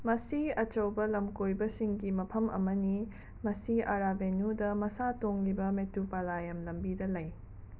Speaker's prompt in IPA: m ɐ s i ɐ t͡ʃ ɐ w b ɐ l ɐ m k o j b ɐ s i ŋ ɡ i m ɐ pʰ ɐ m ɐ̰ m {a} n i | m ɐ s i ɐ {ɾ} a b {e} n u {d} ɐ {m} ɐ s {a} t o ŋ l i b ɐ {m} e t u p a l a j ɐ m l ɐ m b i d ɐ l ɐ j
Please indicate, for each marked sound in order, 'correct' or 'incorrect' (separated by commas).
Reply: incorrect, correct, correct, correct, correct, correct, correct